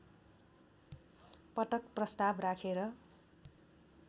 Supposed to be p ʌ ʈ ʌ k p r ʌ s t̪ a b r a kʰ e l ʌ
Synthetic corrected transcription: p ʌ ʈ ʌ k p r ʌ s t̪ a b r a kʰ e ɾ ʌ